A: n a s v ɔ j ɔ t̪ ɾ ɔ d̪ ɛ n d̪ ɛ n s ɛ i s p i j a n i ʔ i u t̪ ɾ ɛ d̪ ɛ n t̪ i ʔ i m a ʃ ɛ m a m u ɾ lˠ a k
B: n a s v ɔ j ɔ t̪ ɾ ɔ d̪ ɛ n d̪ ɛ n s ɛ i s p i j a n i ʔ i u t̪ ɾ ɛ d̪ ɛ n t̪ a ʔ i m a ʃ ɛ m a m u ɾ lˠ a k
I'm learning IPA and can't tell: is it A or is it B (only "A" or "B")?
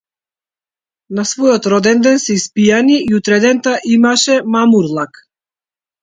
B